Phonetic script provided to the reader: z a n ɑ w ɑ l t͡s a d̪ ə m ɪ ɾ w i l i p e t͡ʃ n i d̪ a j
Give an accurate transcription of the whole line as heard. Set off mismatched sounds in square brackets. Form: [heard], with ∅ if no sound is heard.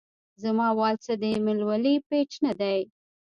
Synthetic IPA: z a [m] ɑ w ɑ l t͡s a d̪ ə m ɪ [l] w [a] l i p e t͡ʃ n [a] d̪ a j